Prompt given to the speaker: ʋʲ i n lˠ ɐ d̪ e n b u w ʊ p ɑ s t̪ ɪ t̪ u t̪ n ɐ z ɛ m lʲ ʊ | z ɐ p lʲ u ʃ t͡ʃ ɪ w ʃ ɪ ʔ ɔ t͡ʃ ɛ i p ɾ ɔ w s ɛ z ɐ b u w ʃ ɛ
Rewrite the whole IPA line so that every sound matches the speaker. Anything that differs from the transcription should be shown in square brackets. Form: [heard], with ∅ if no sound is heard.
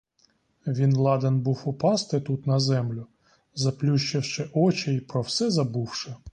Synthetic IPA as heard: ʋʲ i n lˠ [ɑ] d̪ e n b u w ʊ p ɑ s t̪ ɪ t̪ u t̪ n ɐ z ɛ m lʲ ʊ | z ɐ p lʲ u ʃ t͡ʃ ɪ w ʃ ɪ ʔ ɔ t͡ʃ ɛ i p ɾ ɔ w s ɛ z ɐ b u w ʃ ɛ